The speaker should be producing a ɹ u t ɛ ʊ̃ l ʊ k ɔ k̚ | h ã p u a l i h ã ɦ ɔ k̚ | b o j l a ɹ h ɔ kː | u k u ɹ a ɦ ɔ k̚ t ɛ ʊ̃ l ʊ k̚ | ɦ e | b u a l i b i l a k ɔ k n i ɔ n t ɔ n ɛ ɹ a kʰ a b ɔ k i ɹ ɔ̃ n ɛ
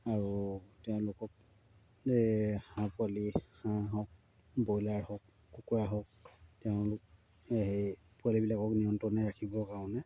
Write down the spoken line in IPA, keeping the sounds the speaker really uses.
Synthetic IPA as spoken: a ɹ u t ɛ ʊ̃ l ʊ k ɔ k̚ | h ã p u a l i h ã ɦ ɔ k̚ | b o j l a ɹ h ɔ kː | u k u ɹ a ɦ ɔ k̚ t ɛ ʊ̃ l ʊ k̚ | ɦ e | p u a l i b i l a k ɔ k n i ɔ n t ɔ n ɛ ɹ a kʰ i b ɔ k a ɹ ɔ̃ n ɛ